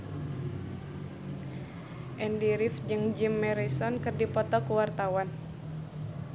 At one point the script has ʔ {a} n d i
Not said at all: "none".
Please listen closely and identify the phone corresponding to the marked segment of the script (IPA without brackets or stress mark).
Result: ɛ